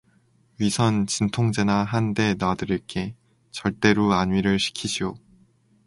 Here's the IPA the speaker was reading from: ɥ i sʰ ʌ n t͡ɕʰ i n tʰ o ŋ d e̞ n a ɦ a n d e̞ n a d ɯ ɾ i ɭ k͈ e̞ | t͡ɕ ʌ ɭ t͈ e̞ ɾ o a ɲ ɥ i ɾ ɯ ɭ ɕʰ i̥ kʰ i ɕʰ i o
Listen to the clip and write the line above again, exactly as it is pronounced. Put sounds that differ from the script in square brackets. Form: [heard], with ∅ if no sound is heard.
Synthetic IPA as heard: ɥ i sʰ ʌ n [t͡ɕ] i n tʰ o ŋ [d͡ʑ] e̞ n a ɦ a n d e̞ n a d ɯ ɾ i ɭ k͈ e̞ | t͡ɕ ʌ ɭ t͈ e̞ ɾ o a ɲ ɥ i ɾ ɯ ɭ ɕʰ i̥ kʰ i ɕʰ i o